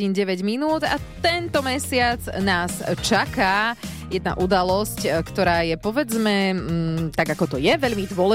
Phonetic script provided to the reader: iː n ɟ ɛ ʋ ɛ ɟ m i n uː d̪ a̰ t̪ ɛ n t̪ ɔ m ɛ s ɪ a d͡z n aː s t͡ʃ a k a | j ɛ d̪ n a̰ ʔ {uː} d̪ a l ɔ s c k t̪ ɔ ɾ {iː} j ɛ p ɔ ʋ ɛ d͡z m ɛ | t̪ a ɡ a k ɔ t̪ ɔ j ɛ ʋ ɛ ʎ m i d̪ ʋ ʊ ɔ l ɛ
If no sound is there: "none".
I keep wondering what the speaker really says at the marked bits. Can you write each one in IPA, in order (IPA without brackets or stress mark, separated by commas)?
u, aː